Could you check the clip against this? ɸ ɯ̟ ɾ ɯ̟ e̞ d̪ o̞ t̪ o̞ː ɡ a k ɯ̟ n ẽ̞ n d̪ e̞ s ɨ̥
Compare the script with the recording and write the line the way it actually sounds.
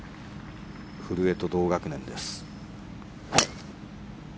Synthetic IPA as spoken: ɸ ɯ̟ ɾ ɯ̟ e̞ t̪ o̞ d̪ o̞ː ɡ a k ɯ̟ n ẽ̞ n d̪ e̞ s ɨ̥